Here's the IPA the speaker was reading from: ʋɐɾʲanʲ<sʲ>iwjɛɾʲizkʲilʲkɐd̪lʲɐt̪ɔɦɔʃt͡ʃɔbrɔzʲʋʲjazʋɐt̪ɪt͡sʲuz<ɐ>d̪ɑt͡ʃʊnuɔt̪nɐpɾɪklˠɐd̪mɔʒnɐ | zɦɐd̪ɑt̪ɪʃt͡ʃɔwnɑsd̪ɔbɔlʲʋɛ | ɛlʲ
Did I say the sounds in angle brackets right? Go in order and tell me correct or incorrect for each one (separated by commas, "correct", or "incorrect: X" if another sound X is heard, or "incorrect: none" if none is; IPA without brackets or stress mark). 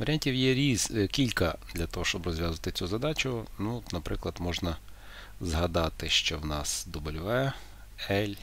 incorrect: tʲ, correct